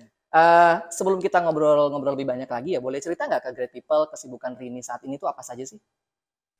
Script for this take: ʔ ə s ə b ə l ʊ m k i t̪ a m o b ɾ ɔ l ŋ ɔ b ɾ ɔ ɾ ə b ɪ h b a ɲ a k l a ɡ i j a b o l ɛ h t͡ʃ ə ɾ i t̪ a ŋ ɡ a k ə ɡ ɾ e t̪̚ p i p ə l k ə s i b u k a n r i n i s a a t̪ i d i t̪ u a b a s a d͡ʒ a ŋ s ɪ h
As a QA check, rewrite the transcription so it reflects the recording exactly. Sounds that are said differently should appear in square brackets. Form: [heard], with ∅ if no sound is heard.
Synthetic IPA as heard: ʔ ə s ə b ə l ʊ m k i t̪ a [ŋ] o b ɾ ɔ l ŋ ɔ b ɾ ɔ [l] ə b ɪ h b a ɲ a k l a ɡ i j a b o l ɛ h t͡ʃ ə ɾ i t̪ a ŋ ɡ a k ə ɡ ɾ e t̪̚ p i p ə l k ə s i b u k a n r i n i s a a t̪ i [n] i t̪ u a [p] a s a d͡ʒ a [∅] s ɪ h